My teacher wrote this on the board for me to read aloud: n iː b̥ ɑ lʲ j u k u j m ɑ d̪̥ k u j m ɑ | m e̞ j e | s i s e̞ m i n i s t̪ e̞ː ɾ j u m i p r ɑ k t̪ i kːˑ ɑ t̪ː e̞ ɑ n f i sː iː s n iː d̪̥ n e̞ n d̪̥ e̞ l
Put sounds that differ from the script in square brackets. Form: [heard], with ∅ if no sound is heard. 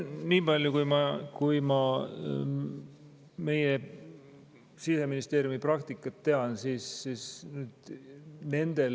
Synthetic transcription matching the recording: n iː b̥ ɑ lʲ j u k u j m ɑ [∅] k u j m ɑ | m e̞ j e | s i s e̞ m i n i s t̪ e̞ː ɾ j u m i p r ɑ k t̪ i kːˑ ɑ t̪ː e̞ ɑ n [s] i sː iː s n [yː] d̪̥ n e̞ n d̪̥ e̞ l